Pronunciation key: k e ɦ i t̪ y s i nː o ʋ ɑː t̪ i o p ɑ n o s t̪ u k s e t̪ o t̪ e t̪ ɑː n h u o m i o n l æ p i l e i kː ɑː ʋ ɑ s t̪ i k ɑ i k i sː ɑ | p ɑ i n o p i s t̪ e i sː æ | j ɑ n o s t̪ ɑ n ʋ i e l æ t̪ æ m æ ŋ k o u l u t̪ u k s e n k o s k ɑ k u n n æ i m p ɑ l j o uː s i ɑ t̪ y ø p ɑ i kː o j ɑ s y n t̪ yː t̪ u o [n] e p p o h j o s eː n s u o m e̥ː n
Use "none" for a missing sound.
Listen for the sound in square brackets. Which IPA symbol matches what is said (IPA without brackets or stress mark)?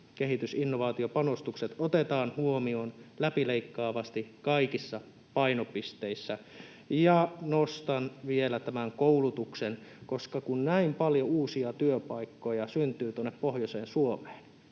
nː